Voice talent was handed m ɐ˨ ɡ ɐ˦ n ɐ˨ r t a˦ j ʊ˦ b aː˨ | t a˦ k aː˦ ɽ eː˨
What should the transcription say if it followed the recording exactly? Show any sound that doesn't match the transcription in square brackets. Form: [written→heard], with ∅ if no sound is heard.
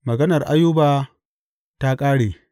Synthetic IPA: m ɐ˨ ɡ ɐ˦ n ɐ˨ r [t→ʔ] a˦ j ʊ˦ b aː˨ | t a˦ [k→kʼ] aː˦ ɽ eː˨